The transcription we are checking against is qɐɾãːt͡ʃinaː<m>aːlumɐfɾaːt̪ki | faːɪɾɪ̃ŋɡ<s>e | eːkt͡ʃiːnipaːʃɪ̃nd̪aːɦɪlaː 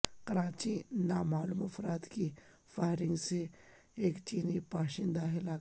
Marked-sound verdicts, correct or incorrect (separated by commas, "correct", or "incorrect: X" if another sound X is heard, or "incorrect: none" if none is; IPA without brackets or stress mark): correct, correct